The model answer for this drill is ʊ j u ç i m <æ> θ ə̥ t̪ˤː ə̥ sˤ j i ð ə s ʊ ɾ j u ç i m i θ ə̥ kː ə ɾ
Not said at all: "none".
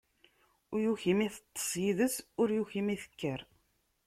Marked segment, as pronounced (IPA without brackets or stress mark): i